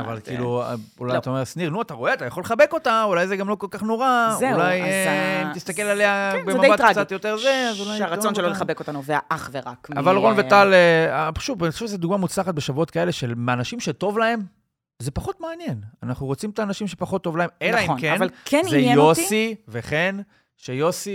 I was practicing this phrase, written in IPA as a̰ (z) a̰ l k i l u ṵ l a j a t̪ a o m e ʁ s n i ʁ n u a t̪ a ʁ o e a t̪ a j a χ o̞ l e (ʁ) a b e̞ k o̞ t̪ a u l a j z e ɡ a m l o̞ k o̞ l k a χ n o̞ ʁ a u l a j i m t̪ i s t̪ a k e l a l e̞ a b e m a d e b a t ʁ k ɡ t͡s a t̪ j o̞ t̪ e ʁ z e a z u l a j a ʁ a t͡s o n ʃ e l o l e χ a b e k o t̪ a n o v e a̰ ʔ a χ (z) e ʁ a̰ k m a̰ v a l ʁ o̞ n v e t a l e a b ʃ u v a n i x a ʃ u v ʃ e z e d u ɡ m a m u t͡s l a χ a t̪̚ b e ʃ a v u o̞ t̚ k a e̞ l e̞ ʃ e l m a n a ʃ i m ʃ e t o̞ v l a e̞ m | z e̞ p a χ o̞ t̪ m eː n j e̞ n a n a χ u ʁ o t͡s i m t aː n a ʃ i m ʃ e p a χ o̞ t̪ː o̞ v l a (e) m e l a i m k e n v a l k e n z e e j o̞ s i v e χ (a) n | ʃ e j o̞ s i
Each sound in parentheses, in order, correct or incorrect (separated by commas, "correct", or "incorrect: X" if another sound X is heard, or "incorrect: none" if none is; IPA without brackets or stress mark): incorrect: v, incorrect: χ, incorrect: v, correct, incorrect: e